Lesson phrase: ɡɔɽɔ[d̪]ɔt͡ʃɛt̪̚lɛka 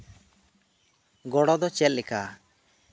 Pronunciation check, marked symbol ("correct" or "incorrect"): correct